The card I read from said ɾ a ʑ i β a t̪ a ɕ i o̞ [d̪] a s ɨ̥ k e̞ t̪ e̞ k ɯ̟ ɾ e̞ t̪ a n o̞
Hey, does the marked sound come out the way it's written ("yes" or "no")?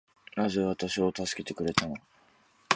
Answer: no